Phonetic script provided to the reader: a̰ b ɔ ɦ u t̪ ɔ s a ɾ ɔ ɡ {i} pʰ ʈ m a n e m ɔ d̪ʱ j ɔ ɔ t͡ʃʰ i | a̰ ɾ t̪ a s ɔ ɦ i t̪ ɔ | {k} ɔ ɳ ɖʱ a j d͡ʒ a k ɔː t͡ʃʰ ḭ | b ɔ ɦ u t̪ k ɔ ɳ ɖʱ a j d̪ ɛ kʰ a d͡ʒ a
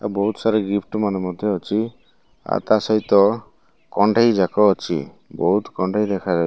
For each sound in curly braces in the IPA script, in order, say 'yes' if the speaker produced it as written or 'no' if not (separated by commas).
yes, yes